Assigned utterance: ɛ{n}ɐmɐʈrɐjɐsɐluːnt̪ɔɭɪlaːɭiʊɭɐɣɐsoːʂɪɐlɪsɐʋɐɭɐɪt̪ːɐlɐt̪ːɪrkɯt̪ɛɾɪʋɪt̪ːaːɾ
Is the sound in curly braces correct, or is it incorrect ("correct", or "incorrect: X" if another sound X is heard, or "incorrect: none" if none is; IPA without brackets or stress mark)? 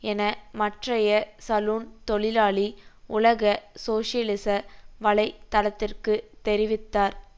correct